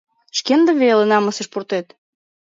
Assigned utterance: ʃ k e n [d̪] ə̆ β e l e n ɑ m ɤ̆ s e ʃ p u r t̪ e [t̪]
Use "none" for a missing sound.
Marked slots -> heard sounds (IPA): d̪, t̪

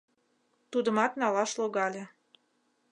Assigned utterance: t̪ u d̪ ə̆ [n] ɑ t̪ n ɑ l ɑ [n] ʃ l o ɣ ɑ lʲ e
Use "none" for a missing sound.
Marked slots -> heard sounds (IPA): m, none

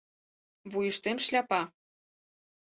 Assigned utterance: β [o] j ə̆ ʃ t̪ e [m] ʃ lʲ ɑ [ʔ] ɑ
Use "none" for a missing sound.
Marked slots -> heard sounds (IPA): u, m, p

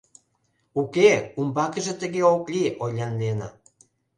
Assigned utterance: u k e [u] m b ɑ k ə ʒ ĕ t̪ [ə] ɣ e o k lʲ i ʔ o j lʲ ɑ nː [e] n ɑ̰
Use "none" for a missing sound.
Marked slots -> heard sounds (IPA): u, ə, e

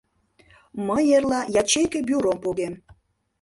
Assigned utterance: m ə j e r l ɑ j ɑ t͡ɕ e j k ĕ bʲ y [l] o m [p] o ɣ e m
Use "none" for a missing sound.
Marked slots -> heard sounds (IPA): ɾ, p

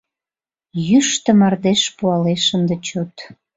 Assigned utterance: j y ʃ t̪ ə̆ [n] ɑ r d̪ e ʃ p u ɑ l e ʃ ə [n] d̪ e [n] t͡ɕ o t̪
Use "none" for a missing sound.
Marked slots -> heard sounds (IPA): m, n, none

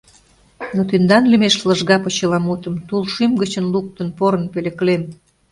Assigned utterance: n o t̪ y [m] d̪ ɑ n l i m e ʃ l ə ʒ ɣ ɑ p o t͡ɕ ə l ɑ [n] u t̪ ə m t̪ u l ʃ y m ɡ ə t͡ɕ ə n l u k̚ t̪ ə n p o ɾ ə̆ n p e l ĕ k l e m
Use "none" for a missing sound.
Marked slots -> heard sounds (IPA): n, m

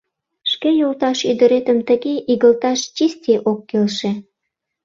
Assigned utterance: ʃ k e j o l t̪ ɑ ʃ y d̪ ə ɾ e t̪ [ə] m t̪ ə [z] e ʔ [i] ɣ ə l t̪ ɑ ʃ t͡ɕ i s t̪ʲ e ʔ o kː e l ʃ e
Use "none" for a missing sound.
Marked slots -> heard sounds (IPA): ə, ɣ, i

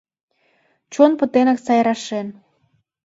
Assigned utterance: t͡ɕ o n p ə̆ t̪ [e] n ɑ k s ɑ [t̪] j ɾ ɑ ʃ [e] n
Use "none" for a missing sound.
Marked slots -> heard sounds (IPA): e, none, e

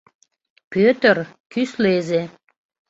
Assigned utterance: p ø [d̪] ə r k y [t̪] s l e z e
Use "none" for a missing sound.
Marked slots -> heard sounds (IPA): t̪, none

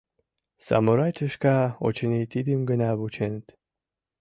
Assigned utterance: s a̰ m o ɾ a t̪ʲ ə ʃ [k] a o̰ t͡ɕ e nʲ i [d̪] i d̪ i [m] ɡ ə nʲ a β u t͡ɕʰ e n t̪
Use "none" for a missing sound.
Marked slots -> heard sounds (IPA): k, t̪, m

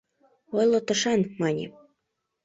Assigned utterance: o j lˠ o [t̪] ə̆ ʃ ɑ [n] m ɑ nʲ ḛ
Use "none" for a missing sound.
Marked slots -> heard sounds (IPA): t̪, n

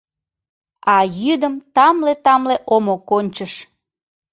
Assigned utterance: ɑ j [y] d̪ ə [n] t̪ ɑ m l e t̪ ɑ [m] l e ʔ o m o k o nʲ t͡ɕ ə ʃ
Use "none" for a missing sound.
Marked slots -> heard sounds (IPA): y, m, m

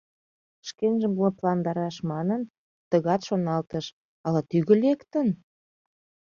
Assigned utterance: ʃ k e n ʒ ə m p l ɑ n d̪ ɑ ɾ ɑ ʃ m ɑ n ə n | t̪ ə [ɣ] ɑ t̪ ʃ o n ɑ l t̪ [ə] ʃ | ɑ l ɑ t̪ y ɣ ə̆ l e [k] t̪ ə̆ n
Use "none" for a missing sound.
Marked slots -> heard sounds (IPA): ɣ, ə, k

